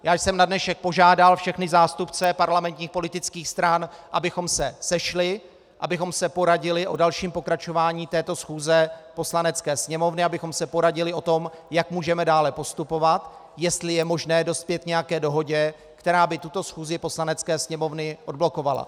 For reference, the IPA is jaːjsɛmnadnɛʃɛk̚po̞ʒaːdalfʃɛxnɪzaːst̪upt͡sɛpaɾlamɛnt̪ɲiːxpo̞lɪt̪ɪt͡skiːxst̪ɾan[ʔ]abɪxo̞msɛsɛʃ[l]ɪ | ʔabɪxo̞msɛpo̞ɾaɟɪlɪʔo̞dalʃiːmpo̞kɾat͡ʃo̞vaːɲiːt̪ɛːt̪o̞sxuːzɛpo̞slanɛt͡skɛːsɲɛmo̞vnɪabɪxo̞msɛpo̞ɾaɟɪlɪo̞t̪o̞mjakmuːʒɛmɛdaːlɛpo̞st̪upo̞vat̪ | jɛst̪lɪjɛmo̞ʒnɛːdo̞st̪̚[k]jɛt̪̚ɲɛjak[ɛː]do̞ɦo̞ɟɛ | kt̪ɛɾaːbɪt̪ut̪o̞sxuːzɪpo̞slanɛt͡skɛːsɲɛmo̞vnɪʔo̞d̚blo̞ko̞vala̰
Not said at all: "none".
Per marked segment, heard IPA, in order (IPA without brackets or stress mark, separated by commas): ʔ, l, p, ɛː